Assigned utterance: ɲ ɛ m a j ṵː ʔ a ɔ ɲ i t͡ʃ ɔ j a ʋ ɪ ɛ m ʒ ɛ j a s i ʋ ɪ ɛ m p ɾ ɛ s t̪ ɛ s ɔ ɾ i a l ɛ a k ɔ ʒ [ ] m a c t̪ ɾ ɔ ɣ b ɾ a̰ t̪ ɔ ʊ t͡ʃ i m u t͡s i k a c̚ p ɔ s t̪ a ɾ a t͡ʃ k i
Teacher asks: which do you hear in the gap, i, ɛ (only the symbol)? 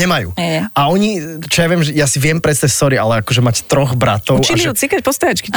ɛ